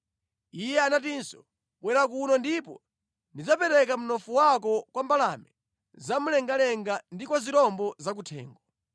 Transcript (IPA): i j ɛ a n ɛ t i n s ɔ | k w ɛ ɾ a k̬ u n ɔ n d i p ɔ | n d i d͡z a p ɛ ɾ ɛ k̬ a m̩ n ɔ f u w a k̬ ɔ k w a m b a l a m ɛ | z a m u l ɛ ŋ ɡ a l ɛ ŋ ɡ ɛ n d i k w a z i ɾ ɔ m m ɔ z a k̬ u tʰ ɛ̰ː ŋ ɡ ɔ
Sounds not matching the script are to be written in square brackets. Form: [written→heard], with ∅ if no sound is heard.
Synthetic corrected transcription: i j ɛ a n [ɛ→a] t i n s ɔ | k w ɛ ɾ a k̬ u n ɔ n d i p ɔ | n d i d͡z a p ɛ ɾ ɛ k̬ a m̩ n ɔ f u w a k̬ ɔ k w a m b a l a m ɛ | z a m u l ɛ ŋ ɡ a l ɛ ŋ ɡ [ɛ→a] n d i k w a z i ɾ ɔ m [m→b] ɔ z a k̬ u tʰ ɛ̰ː ŋ ɡ ɔ